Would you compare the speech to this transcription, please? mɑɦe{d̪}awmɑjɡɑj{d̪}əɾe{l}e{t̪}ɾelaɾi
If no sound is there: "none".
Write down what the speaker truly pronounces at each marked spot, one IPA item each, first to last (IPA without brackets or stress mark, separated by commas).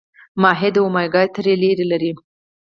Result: d̪, t̪, l, none